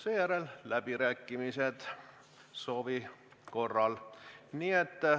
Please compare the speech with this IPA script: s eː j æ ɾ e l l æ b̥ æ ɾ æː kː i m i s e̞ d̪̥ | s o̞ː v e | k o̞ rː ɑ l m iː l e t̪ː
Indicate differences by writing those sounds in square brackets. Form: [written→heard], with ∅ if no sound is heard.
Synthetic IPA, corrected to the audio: s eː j æ ɾ e l l æ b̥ [æ→i] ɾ æː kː i m i s e̞ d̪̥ | s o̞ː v [e→i] | k o̞ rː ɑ l [m→n] iː [l→∅] e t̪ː

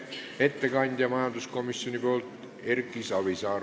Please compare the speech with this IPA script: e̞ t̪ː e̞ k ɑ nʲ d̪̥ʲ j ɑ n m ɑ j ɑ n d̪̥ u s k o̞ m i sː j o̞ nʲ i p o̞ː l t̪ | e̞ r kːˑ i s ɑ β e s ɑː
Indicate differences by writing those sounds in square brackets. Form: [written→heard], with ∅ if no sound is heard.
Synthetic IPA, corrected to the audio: e̞ t̪ː e̞ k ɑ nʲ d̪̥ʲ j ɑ [n→∅] m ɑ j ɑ n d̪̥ u s k o̞ m i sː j o̞ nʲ i p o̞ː l t̪ | e̞ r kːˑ i s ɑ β [e→i] s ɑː

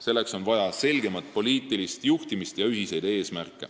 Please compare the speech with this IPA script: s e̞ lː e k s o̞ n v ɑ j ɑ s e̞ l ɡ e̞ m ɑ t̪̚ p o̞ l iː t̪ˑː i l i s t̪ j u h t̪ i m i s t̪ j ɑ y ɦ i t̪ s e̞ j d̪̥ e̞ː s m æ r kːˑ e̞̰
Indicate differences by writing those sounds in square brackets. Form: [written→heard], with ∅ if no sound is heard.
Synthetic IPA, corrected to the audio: s e̞ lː e k s o̞ n v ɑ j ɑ s e̞ l ɡ e̞ m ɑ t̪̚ p o̞ l iː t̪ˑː i l i s t̪ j u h t̪ i m i s t̪ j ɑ y ɦ i [t̪→∅] s e̞ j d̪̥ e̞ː s m æ r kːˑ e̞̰

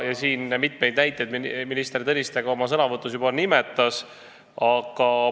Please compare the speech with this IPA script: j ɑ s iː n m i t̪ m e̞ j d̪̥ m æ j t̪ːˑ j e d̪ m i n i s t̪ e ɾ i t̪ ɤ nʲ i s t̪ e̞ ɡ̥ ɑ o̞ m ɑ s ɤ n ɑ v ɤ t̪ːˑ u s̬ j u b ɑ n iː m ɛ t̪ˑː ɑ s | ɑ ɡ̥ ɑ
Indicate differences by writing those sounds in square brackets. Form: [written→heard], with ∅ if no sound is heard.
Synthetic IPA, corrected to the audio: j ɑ s iː n m i t̪ m e̞ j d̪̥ [m→n] æ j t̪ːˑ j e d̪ m i n i s t̪ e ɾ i t̪ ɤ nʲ i s t̪ e̞ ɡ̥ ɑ o̞ m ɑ s ɤ n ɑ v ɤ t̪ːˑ u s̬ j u b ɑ n [iː→i] m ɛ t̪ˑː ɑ s | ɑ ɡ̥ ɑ

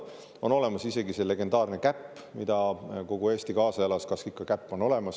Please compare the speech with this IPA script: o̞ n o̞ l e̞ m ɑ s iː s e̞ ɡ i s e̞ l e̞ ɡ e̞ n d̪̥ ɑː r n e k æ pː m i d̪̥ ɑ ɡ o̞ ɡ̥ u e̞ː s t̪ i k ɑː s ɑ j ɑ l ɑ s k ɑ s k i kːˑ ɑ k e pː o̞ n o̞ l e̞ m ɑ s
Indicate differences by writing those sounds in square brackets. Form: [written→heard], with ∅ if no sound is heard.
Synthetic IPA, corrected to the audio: o̞ n o̞ l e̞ m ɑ s [iː→i] s e̞ ɡ i s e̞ l e̞ ɡ e̞ n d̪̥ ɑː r n e k æ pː m i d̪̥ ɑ [ɡ→k] o̞ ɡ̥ u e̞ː s t̪ i k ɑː s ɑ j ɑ l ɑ s k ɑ s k i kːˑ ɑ k [e→æ] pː o̞ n o̞ l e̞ m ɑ s

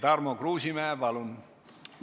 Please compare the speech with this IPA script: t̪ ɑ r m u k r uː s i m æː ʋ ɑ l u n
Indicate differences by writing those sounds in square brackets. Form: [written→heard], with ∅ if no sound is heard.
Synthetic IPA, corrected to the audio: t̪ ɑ r m [u→o] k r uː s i m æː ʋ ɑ l u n

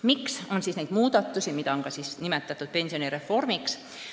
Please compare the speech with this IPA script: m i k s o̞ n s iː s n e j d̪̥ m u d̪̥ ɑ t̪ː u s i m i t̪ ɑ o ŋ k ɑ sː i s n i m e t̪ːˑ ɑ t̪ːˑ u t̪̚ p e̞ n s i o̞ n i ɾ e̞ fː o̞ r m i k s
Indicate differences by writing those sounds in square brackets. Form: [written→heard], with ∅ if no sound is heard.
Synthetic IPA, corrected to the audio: m i k s o̞ n s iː s n e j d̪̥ m [u→uː] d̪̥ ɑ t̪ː u s i m i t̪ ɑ o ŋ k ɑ [sː→s] i s n i m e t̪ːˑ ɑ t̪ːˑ u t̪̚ p e̞ n s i o̞ n i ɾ e̞ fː o̞ r m i k s

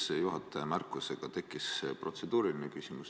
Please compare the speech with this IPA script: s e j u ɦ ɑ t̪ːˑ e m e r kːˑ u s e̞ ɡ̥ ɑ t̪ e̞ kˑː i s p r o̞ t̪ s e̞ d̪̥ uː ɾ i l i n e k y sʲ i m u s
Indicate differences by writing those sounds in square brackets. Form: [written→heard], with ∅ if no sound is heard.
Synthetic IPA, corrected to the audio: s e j u ɦ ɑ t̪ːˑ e m [e→æ] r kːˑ u s e̞ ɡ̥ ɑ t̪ e̞ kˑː i s p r o̞ t̪ s e̞ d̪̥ uː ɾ i l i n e k y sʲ i m u s

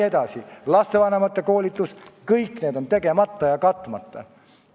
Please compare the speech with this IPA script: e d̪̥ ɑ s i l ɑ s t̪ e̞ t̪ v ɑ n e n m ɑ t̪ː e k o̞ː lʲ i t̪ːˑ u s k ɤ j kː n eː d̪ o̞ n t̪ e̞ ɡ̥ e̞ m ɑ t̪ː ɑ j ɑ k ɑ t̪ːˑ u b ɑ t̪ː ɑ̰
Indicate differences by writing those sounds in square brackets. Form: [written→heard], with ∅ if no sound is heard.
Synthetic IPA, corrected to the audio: e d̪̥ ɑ s i l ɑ s t̪ e̞ [t̪→∅] v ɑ n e [n→∅] m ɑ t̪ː e k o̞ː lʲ i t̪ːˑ u s k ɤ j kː n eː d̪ o̞ n t̪ e̞ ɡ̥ e̞ m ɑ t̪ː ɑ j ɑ k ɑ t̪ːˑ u [b→m] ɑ t̪ː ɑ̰

